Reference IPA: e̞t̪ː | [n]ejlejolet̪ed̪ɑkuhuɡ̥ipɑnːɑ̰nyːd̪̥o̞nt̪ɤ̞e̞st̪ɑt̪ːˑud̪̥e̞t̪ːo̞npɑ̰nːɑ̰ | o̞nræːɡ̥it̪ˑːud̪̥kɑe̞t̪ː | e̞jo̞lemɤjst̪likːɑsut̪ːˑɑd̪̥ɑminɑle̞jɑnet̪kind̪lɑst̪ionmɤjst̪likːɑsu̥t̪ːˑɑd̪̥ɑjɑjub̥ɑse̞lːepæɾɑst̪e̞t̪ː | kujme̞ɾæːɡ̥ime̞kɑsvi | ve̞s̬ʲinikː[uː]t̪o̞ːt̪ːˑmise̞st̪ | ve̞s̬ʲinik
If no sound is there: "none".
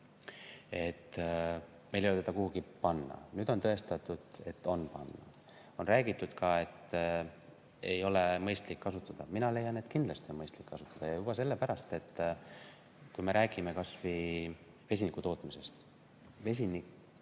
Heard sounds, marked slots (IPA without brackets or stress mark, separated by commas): m, u